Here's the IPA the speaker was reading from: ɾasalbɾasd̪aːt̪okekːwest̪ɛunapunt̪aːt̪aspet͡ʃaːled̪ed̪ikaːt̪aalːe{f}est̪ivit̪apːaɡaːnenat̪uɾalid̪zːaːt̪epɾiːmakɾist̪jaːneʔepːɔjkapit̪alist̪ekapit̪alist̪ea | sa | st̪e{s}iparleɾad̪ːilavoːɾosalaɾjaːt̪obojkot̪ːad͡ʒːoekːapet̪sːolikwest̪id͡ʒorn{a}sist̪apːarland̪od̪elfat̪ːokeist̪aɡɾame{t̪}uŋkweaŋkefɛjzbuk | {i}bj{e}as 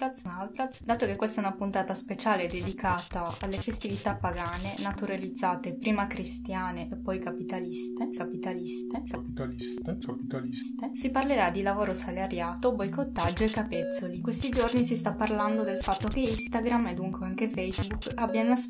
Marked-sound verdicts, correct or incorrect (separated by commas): correct, correct, incorrect, incorrect, incorrect, incorrect